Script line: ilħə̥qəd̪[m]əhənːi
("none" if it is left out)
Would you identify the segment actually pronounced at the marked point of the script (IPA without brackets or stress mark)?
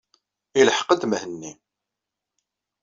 m